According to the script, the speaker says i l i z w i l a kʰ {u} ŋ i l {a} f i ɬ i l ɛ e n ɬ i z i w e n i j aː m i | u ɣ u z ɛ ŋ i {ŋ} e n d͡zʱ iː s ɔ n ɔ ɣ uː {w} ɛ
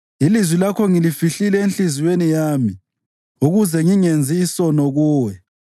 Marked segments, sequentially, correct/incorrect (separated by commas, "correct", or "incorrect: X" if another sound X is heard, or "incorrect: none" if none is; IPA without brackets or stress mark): incorrect: ɔ, incorrect: i, correct, correct